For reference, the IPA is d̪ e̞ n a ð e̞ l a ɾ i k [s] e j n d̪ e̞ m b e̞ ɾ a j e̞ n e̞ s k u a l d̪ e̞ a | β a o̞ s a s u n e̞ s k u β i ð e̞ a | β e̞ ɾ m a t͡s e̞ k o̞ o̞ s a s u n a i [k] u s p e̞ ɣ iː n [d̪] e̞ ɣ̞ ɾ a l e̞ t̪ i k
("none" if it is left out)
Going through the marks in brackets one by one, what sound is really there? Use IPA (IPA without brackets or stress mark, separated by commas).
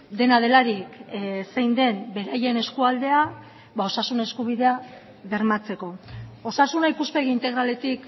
s, p, t̪